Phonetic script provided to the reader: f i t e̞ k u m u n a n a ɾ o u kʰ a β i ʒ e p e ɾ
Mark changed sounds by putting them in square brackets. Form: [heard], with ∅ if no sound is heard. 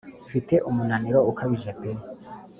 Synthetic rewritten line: f i t e̞ [ʔ] u m u n a n [i] ɾ o u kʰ a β i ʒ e p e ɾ